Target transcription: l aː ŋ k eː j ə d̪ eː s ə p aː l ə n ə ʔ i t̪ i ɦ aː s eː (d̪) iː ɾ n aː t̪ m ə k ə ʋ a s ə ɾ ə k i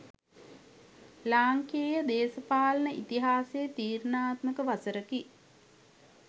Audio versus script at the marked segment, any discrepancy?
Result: yes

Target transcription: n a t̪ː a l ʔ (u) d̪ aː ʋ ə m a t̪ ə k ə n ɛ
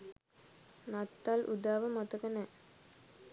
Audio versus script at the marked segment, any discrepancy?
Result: no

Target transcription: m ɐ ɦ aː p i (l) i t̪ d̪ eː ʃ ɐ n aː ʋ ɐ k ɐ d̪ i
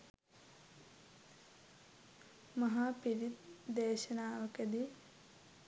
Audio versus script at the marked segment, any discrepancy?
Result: yes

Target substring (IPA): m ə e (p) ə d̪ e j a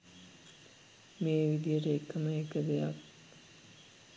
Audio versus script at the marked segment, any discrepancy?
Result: yes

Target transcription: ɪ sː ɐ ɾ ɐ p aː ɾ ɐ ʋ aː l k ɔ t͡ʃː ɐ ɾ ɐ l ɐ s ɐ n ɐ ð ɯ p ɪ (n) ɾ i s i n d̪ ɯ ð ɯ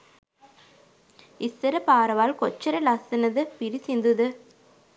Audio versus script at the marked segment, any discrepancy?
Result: yes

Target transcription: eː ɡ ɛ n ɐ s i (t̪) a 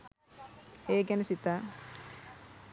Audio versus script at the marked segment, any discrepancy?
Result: no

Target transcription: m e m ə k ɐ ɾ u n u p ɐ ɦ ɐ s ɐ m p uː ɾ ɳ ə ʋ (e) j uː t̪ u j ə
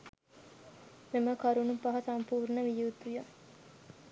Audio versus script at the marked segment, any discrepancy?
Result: yes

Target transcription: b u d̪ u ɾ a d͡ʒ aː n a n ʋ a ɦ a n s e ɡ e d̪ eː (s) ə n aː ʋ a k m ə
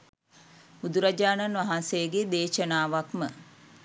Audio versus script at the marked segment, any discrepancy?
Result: yes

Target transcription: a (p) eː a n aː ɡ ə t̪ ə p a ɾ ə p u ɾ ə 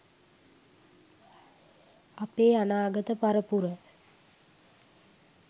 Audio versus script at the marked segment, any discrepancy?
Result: no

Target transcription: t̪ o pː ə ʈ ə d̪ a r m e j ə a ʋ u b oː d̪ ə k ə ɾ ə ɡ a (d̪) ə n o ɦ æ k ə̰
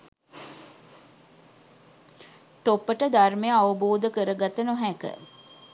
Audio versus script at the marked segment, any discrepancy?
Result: yes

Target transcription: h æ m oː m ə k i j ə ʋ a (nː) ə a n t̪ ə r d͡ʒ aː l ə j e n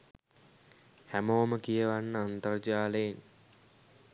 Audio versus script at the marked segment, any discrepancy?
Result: no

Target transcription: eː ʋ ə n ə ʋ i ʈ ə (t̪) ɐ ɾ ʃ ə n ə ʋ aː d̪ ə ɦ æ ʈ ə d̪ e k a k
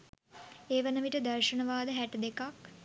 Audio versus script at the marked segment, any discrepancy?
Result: yes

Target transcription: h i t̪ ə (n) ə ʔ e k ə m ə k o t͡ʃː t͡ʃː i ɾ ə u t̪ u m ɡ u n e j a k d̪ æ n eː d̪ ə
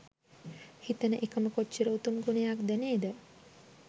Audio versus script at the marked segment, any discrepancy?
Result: no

